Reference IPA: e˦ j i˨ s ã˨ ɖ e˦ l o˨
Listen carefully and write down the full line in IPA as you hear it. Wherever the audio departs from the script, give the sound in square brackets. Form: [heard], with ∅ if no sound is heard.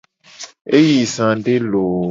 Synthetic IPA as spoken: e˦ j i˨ s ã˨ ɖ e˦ l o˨